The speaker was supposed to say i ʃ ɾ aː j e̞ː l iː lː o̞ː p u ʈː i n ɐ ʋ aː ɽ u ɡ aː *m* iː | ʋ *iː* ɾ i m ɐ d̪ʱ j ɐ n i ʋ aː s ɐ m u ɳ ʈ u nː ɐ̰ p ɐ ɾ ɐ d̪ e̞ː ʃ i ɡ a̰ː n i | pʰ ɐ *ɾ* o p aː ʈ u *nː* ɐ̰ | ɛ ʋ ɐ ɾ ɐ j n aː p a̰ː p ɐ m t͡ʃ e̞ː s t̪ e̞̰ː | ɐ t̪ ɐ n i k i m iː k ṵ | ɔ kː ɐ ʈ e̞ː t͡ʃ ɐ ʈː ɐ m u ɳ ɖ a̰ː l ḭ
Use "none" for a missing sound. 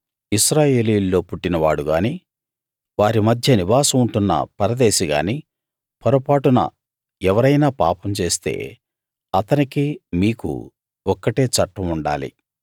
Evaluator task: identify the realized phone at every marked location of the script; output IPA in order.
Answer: n, aː, ɾ, n

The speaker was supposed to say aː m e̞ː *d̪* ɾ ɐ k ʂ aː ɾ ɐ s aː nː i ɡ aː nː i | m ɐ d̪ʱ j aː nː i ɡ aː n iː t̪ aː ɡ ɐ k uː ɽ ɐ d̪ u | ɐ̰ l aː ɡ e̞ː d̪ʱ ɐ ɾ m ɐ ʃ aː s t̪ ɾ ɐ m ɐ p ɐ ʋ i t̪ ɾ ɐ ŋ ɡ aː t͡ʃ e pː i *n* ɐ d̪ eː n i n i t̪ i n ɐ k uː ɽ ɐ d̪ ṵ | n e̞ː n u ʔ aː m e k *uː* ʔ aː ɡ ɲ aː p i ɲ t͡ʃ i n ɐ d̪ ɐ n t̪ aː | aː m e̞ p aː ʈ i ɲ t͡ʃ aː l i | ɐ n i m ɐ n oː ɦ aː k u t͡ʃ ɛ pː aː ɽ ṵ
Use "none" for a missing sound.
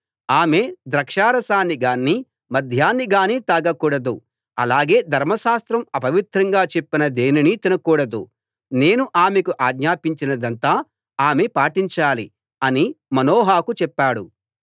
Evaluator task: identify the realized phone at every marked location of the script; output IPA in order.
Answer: d̪, n, u

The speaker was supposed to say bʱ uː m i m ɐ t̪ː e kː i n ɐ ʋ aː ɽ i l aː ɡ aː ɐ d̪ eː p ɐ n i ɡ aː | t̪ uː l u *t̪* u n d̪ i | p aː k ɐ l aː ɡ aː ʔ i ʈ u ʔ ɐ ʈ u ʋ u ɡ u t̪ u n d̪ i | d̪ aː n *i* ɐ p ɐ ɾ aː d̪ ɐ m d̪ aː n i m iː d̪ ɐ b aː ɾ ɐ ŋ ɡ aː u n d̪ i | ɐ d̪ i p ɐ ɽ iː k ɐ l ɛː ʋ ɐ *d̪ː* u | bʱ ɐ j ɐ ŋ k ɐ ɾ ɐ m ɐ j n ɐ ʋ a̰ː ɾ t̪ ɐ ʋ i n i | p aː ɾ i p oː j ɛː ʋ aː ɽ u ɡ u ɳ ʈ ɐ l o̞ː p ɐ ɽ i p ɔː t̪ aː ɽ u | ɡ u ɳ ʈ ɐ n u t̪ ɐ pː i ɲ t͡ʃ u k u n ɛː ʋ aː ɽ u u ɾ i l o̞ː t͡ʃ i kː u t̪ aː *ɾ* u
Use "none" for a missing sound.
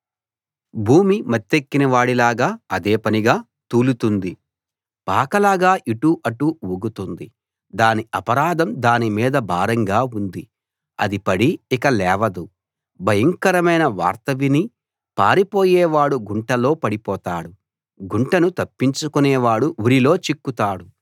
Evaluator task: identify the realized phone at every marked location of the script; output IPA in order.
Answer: t̪, i, d̪, ɽ

